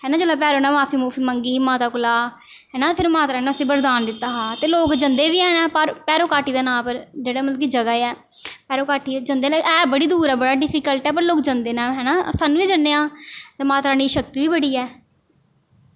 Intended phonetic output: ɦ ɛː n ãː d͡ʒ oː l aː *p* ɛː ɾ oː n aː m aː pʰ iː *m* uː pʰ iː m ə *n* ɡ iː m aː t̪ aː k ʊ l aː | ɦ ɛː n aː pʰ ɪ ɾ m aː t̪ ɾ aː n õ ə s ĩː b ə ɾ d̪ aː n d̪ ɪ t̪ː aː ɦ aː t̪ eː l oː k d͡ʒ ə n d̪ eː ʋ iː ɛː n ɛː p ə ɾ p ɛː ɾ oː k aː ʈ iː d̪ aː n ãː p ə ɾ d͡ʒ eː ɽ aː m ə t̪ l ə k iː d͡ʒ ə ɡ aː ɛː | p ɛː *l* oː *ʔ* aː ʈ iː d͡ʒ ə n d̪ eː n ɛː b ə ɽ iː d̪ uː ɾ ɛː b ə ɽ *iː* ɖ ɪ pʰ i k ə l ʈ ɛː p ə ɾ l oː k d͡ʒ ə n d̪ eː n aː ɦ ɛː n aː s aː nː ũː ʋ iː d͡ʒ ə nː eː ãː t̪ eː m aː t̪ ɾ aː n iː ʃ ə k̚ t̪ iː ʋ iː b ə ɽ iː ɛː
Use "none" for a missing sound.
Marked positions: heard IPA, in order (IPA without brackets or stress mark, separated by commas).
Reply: p, m, ŋ, ɾ, k, aː